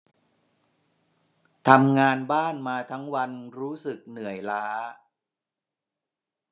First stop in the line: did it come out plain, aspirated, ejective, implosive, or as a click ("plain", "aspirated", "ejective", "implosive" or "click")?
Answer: aspirated